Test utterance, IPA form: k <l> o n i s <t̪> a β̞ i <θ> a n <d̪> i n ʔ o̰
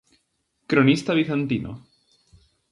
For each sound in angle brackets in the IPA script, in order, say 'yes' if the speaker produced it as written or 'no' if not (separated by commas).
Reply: no, yes, yes, no